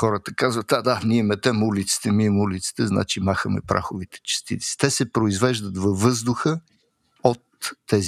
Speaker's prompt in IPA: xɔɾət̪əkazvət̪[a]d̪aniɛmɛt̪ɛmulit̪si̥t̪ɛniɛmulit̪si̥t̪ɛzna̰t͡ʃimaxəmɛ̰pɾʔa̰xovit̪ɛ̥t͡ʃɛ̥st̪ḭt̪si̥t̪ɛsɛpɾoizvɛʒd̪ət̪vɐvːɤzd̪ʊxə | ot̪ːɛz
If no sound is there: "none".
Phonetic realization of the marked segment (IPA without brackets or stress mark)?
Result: a